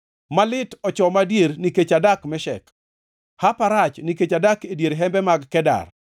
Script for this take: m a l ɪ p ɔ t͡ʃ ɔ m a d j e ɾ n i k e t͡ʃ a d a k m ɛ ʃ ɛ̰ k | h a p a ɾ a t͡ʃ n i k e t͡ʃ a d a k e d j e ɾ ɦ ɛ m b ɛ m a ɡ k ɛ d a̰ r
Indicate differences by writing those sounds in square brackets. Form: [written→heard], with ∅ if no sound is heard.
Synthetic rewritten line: m a l ɪ [p→t] ɔ t͡ʃ ɔ m a d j e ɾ n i k e t͡ʃ a d a k m ɛ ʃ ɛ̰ k | h a p a ɾ a t͡ʃ n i k e t͡ʃ a d a k e d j e ɾ ɦ ɛ m b ɛ m a ɡ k ɛ d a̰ r

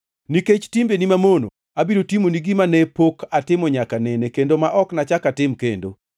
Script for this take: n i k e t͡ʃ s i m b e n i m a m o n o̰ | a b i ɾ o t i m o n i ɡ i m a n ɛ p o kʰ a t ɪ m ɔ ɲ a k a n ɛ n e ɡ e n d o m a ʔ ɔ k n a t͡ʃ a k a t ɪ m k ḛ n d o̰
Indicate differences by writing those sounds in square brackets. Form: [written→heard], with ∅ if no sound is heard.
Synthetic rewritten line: n i k e t͡ʃ [s→t] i m b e n i m a m o n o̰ | a b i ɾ o t i m o n i ɡ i m a n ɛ p o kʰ a t ɪ m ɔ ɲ a k a n ɛ n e [ɡ→k] e n d o m a ʔ ɔ k n a t͡ʃ a k a t ɪ m k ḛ n d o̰

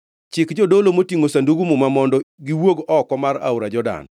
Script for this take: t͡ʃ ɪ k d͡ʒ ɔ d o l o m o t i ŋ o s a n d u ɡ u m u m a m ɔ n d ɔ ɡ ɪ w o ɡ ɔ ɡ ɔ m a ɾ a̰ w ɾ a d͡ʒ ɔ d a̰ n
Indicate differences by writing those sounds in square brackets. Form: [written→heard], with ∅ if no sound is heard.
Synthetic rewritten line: t͡ʃ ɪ k d͡ʒ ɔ d o l o m o t i ŋ o s a n d u ɡ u m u m a m ɔ n d ɔ ɡ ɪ w o ɡ ɔ [ɡ→k] ɔ m a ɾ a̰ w ɾ a d͡ʒ ɔ d a̰ n

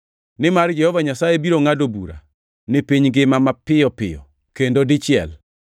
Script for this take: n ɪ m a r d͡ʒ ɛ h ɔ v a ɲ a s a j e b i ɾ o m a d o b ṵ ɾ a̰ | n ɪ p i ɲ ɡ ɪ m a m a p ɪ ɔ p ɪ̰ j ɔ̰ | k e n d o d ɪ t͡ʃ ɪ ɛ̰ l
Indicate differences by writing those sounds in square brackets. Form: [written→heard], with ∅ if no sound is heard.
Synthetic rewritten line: n ɪ m a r d͡ʒ ɛ h ɔ v a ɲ a s a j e b i ɾ o [m→ŋ] a d o b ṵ ɾ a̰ | n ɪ p i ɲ ɡ ɪ m a m a p ɪ ɔ p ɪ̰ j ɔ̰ | k e n d o d ɪ t͡ʃ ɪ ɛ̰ l

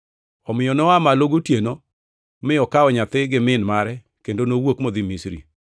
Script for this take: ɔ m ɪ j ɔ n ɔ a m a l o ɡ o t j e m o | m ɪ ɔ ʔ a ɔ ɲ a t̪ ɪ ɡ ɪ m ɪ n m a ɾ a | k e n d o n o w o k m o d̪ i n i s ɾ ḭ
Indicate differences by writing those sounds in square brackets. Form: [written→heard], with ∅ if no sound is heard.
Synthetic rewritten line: ɔ m ɪ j ɔ n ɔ a m a l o ɡ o t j e [m→n] o | m ɪ ɔ [ʔ→k] a ɔ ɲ a t̪ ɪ ɡ ɪ m ɪ n m a ɾ [a→ɛ] | k e n d o n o w o k m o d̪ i [n→m] i s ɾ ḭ

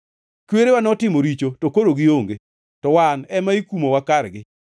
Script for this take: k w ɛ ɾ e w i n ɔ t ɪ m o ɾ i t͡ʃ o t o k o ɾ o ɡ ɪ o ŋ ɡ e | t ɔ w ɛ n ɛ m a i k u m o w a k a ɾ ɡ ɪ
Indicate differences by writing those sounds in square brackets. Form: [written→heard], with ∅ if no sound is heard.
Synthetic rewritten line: k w [ɛ→e] ɾ e w [i→a] n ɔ t ɪ m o ɾ i t͡ʃ o t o k o ɾ o ɡ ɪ o ŋ ɡ e | t ɔ w [ɛ→a] n ɛ m a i k u m o w a k a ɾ ɡ ɪ

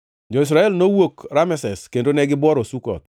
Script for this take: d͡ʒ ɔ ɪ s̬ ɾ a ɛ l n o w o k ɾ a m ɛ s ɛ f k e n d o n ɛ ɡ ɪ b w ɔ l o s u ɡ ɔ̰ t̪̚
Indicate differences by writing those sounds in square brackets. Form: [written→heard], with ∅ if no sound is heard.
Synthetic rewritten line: d͡ʒ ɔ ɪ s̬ ɾ a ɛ l n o w o k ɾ a m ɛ s ɛ [f→s] k e n d o n ɛ ɡ ɪ b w ɔ [l→ɾ] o s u [ɡ→k] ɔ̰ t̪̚

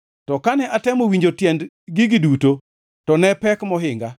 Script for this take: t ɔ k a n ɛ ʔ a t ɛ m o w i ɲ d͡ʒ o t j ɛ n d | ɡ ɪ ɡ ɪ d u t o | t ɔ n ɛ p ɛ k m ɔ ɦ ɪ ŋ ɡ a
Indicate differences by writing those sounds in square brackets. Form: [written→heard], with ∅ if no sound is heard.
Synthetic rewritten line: t ɔ k a n ɛ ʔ a t ɛ m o w i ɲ d͡ʒ o t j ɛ n d | ɡ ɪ ɡ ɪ d u t o | t ɔ n ɛ p ɛ k m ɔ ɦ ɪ ŋ ɡ a

